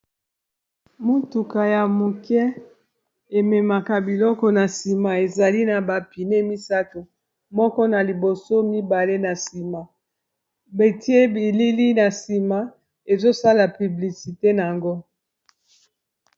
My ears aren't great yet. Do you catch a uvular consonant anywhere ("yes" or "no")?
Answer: no